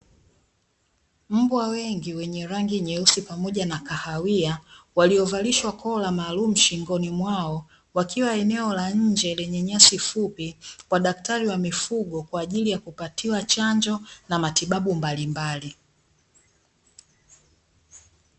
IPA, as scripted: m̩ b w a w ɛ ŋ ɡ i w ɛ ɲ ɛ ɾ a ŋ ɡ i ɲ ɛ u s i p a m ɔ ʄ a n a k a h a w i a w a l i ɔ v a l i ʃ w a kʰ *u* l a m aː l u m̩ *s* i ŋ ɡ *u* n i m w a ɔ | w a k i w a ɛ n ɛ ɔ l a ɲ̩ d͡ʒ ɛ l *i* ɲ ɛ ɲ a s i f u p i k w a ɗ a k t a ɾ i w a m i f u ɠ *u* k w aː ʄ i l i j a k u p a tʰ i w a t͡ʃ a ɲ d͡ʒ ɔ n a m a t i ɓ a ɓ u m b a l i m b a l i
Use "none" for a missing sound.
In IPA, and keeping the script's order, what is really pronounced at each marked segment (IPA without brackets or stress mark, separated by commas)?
ɔ, ʃ, ɔ, ɛ, ɔ